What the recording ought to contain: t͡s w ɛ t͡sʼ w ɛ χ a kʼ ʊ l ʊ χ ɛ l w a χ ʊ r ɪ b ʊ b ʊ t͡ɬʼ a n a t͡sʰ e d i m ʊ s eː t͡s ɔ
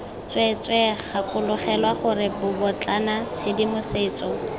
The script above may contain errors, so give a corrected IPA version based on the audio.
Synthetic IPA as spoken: t͡s w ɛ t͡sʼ w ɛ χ a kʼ ʊ l ʊ χ ɛ l w a χ ʊ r ɪ b ʊ b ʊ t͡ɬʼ a n a t͡sʰ e d i m ʊ s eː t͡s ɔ